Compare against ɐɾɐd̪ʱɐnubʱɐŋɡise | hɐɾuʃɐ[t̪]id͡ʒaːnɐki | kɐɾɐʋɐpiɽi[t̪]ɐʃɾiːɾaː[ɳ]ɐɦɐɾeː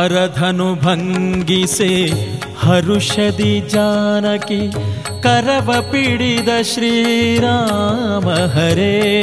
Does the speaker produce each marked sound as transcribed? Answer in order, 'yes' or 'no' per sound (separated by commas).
no, no, no